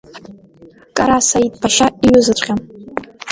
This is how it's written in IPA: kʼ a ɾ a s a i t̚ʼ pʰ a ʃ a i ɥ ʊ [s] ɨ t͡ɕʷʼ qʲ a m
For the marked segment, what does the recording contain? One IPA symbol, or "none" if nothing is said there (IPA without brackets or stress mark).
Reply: z